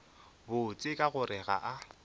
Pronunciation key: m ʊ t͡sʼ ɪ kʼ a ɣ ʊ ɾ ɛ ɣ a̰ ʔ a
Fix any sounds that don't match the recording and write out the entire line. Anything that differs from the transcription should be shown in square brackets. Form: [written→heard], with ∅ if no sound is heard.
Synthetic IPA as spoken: [m→b] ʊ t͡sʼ ɪ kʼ a ɣ ʊ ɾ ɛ ɣ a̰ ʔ a